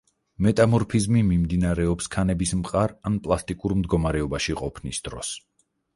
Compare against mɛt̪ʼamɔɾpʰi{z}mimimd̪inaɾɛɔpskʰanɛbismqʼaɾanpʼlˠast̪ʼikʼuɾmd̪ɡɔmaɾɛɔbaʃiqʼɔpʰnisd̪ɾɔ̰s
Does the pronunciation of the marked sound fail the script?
no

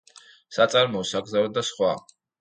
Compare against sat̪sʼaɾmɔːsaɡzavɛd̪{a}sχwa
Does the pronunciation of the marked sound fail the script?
no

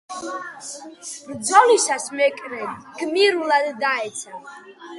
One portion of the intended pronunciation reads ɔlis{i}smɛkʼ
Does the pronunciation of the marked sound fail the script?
yes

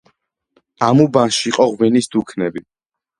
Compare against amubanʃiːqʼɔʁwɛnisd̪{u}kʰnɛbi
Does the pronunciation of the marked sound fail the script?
no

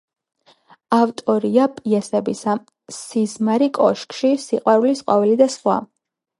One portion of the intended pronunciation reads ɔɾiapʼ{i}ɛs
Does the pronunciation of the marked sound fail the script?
no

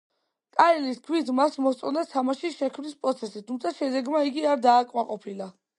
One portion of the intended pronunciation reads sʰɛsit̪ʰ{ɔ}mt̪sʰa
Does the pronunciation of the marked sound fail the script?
yes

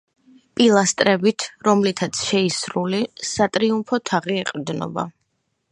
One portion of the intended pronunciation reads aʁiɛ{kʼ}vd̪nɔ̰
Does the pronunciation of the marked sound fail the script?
yes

